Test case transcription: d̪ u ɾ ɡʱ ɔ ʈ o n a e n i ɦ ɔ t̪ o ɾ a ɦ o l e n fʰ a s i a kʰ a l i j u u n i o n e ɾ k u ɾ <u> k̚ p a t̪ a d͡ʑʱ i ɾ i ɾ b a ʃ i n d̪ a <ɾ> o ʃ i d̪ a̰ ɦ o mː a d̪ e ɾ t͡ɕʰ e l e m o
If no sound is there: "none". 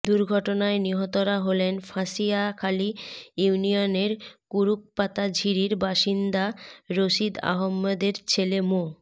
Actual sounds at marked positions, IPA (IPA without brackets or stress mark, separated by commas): u, ɾ